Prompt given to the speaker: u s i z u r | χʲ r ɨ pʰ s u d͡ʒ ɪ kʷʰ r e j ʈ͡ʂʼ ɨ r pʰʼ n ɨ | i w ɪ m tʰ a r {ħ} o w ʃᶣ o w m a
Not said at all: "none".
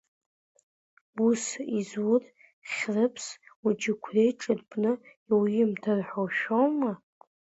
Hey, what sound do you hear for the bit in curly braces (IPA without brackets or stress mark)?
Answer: ħ